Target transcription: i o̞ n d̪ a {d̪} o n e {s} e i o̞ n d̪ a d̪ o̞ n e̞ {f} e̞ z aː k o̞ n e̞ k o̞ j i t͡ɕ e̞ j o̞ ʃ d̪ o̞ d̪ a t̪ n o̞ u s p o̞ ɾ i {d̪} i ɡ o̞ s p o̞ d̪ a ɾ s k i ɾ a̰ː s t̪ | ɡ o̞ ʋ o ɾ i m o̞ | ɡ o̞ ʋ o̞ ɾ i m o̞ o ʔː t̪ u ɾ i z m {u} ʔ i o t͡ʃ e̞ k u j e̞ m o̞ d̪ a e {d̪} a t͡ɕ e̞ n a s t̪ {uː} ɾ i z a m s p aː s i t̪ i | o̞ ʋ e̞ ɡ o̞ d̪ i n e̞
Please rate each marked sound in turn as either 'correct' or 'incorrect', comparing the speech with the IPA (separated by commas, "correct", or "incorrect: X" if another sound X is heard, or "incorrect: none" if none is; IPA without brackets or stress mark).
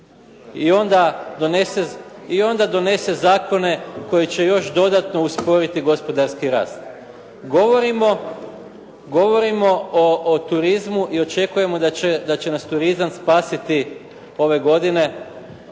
correct, correct, incorrect: s, incorrect: t̪, correct, correct, incorrect: u